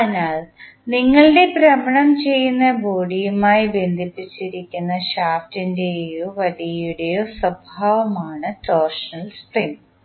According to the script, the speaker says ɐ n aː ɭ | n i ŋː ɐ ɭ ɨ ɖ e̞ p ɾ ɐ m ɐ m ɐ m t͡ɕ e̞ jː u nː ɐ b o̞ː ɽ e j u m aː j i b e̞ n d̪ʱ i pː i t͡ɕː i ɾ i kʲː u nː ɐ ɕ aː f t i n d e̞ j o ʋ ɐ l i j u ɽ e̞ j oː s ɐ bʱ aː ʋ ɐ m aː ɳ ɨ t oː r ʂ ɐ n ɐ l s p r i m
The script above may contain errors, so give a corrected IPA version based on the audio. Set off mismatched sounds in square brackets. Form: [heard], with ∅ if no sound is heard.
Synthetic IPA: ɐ n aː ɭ | n i ŋː ɐ ɭ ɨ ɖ e̞ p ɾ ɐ m ɐ [ɳ] ɐ m t͡ɕ e̞ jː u nː ɐ b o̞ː ɽ [i] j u m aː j i b e̞ n d̪ʱ i pː i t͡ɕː i ɾ i kʲː u nː ɐ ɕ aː f t i n d e̞ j o ʋ ɐ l i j u ɽ e̞ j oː s ɐ bʱ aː ʋ ɐ m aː ɳ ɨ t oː r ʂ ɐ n ɐ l s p r i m